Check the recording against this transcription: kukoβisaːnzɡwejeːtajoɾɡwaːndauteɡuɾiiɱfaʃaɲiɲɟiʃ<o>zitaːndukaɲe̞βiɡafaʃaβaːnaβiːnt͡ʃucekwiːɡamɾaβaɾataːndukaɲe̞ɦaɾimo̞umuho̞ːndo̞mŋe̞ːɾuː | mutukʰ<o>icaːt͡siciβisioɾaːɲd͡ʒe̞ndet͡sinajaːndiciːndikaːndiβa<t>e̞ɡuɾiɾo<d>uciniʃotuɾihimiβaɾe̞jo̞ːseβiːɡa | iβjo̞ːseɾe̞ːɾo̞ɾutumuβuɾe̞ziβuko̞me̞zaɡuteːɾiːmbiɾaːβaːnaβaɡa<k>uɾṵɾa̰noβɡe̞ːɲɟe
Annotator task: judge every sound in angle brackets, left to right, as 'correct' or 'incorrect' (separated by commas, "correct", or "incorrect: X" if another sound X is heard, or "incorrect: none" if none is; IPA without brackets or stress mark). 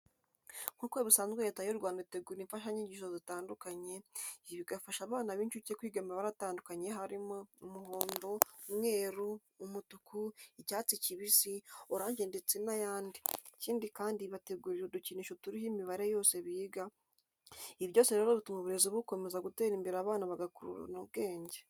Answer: correct, incorrect: u, correct, correct, correct